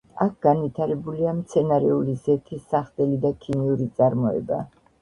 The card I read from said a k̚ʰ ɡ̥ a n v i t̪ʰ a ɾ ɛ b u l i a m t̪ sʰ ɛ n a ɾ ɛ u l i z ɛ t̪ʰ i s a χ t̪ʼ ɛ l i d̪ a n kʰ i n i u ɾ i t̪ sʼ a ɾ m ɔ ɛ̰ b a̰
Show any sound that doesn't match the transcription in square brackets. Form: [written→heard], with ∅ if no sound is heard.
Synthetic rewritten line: a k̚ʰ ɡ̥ a n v i t̪ʰ a ɾ ɛ b u l i a m t̪ sʰ ɛ n a ɾ ɛ u l i z ɛ t̪ʰ i s a χ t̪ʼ ɛ l i d̪ a [n→∅] kʰ i n i u ɾ i t̪ sʼ a ɾ m ɔ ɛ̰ b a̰